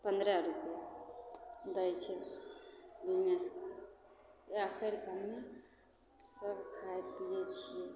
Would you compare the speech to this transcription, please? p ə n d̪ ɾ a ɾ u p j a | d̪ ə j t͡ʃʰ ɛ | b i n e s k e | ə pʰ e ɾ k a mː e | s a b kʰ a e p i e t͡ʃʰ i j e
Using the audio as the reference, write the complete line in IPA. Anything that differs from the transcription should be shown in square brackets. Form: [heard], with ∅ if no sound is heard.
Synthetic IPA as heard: p ə n d̪ ɾ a ɾ u p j a | d̪ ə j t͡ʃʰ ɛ | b i n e s k [a] | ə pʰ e ɾ k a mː e | s [ə] b kʰ a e p i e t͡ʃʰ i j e